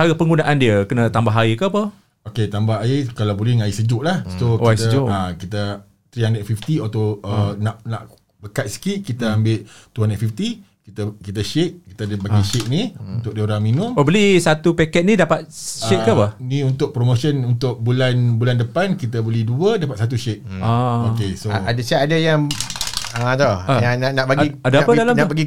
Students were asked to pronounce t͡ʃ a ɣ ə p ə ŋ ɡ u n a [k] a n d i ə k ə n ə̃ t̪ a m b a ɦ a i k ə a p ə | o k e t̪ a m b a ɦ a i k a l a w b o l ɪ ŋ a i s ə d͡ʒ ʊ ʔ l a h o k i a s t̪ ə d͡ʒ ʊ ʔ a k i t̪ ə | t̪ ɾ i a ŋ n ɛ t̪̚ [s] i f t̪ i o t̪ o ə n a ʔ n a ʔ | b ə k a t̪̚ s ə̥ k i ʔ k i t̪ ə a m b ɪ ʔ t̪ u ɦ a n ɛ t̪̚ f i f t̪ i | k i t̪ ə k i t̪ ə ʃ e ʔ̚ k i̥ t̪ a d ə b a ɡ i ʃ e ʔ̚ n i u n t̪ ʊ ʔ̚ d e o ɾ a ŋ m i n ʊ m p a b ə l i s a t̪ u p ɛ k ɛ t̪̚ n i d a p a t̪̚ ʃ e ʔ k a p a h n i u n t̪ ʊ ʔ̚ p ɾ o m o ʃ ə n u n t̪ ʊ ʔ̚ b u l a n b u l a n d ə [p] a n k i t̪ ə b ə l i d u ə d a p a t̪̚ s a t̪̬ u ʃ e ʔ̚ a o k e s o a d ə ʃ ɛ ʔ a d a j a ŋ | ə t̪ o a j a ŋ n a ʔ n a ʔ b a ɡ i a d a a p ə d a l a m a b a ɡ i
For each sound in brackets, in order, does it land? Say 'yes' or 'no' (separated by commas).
no, no, yes